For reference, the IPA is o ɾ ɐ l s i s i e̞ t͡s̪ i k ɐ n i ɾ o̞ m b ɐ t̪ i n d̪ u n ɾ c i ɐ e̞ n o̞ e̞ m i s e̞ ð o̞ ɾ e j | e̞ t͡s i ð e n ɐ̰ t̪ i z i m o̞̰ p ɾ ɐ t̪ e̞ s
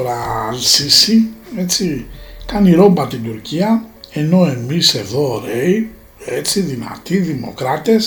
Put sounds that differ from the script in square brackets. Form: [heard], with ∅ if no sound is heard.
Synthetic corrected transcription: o ɾ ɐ l s i s i e̞ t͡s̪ i k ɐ n i ɾ o̞ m b ɐ t̪ i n d̪ u [∅] ɾ c i ɐ e̞ n o̞ e̞ m i s e̞ ð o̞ ɾ e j | e̞ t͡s i ð [i] n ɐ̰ t̪ i [ð] i m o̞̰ [k] ɾ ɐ t̪ e̞ s